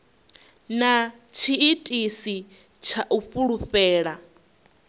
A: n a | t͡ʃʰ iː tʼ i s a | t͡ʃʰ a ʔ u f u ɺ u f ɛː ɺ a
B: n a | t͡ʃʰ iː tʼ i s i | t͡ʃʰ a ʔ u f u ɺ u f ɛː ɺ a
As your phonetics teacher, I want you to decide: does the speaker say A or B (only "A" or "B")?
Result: B